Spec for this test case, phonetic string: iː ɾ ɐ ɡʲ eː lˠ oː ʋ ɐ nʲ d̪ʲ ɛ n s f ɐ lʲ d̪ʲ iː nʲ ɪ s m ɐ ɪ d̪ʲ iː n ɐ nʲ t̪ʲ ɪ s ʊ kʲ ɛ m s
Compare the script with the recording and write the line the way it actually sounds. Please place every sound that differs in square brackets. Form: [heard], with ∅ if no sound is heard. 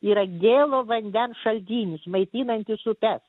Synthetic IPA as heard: iː ɾ ɐ ɡʲ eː lˠ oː ʋ ɐ nʲ d̪ʲ ɛ n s [ʃ] ɐ lʲ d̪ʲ iː nʲ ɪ s m ɐ ɪ [t̪ʲ] iː n ɐ nʲ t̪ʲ ɪ s ʊ [pʲ] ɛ [∅] s